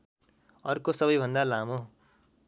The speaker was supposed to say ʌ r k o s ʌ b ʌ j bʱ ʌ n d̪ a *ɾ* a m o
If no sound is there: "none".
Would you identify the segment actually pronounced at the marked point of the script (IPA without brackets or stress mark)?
l